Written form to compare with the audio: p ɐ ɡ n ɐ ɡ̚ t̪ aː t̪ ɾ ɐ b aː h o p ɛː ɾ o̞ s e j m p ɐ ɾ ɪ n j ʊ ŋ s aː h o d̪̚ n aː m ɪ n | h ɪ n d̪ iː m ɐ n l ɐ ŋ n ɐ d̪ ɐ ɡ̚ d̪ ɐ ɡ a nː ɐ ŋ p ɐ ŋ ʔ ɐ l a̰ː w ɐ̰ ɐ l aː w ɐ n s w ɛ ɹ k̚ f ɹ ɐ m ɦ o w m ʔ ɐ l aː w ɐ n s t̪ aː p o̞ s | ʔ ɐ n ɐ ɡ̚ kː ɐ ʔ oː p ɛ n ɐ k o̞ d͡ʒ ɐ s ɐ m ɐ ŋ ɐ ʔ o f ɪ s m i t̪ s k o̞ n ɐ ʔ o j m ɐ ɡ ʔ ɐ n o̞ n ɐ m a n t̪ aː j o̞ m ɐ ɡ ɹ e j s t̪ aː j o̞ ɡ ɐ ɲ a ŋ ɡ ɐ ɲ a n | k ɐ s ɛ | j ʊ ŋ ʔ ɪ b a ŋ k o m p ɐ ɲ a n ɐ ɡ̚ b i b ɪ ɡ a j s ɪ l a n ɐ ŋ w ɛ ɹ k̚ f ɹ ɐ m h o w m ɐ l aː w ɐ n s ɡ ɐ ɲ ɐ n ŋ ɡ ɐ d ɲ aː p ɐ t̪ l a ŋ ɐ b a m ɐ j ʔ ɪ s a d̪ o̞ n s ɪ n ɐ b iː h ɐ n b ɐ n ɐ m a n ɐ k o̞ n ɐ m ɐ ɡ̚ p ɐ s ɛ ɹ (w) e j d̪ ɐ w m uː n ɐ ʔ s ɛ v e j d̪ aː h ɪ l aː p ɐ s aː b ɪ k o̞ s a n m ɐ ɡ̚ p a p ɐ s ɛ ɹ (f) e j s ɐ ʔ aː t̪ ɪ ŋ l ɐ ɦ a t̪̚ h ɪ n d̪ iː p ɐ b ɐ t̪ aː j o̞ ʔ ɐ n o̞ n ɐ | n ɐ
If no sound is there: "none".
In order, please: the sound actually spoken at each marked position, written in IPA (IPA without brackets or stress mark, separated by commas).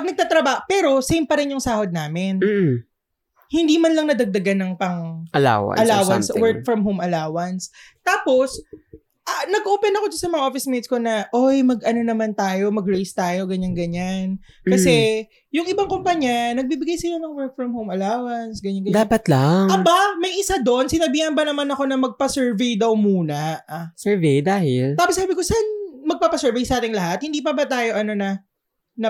v, v